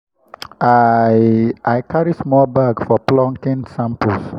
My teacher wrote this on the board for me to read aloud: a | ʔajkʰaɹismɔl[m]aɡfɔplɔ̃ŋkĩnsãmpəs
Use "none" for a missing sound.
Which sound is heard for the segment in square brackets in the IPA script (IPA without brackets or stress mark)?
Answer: b